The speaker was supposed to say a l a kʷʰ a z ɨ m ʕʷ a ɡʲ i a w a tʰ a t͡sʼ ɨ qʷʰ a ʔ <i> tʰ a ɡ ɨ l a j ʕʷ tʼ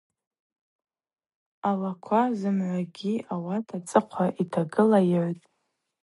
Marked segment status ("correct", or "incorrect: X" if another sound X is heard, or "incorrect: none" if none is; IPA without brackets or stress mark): correct